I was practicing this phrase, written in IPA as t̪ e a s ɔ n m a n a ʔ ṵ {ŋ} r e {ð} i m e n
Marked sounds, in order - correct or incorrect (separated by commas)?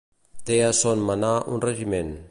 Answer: incorrect, incorrect